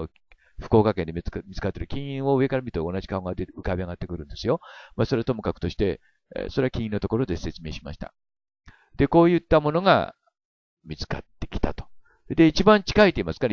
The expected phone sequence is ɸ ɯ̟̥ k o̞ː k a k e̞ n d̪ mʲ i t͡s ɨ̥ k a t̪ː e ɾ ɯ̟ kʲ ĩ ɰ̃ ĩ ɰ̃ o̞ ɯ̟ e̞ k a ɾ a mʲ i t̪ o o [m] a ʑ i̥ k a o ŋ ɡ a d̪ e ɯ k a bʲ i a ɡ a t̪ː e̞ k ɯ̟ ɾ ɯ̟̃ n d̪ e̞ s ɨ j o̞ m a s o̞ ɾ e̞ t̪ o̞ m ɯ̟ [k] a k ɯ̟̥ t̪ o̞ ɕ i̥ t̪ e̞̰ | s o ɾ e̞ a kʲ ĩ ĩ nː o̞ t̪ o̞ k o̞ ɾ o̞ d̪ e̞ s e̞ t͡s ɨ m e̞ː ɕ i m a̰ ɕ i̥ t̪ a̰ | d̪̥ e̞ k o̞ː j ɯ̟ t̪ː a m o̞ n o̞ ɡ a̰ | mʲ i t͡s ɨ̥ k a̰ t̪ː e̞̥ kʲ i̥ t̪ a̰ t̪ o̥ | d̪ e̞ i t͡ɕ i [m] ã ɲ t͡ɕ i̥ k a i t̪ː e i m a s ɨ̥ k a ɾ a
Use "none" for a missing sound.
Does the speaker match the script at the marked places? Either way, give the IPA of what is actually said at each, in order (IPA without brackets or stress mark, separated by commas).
n, k, b